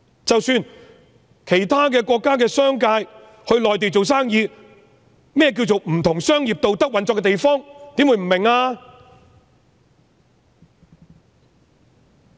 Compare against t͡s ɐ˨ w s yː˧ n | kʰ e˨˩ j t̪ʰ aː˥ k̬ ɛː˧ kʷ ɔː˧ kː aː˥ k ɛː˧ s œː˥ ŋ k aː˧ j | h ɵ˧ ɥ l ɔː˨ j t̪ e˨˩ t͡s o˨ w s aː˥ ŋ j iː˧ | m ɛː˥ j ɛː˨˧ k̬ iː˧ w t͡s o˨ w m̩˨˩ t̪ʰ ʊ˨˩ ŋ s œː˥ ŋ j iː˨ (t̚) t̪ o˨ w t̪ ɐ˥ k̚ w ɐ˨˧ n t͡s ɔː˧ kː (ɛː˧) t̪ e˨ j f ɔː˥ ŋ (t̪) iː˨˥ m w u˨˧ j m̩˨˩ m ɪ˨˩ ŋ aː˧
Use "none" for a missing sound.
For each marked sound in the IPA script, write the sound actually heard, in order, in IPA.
p̚, ɛ˧, t̪

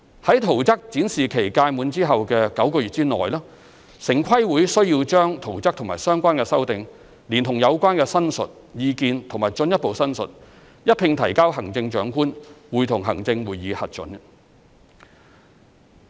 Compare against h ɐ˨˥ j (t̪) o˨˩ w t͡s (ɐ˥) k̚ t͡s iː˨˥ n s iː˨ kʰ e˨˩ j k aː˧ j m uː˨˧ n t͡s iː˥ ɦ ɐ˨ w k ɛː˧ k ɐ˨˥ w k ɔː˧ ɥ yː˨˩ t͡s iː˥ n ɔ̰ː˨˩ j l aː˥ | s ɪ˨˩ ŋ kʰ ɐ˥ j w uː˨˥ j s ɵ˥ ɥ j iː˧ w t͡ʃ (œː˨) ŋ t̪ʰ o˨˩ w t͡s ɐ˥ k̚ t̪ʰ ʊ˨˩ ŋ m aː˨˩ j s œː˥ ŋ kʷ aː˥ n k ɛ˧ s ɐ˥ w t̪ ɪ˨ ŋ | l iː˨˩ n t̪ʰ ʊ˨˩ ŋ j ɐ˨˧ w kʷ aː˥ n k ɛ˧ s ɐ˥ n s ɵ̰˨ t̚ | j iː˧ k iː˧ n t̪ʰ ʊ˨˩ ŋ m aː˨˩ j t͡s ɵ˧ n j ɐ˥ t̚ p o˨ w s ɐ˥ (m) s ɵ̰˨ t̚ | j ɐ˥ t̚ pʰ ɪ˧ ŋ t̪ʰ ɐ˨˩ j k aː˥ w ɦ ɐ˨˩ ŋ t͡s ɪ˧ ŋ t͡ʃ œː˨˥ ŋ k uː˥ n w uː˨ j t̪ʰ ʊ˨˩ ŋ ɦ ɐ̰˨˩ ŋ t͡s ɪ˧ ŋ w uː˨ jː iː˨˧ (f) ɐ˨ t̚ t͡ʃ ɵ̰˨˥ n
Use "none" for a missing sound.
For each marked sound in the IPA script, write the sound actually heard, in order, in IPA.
t̪ʰ, ɐ˥, œː˥, n, h

